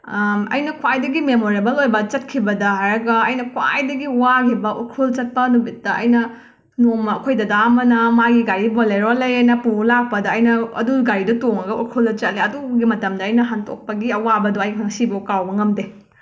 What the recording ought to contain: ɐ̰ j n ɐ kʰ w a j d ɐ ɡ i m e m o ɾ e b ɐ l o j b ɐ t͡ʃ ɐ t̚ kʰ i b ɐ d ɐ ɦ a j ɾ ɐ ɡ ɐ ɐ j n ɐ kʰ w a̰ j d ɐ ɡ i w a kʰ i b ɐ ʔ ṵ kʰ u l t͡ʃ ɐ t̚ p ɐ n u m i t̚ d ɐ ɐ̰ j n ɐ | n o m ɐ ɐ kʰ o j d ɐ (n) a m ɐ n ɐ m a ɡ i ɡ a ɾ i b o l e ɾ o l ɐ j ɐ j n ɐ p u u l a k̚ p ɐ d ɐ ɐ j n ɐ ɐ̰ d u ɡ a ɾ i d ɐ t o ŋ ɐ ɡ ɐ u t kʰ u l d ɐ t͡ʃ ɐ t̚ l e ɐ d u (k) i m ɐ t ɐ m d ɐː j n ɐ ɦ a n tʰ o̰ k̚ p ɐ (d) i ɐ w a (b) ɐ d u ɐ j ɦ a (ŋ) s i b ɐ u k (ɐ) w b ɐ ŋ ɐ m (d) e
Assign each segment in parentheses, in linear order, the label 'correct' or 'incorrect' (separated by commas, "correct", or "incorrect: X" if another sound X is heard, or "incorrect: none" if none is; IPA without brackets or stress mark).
incorrect: d, incorrect: ɡ, incorrect: ɡ, correct, correct, incorrect: a, correct